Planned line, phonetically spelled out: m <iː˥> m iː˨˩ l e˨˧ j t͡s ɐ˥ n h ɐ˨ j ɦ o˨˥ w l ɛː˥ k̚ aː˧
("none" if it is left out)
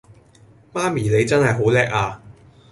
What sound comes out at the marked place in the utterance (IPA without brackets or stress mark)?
aː˥